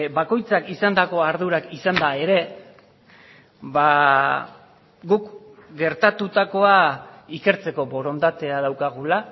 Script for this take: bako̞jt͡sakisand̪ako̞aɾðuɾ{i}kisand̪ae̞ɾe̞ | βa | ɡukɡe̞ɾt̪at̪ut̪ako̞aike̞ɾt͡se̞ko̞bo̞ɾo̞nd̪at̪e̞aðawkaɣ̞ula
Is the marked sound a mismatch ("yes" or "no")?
yes